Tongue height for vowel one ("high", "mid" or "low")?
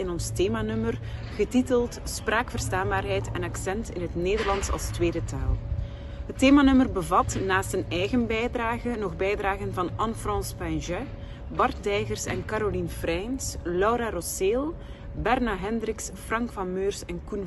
high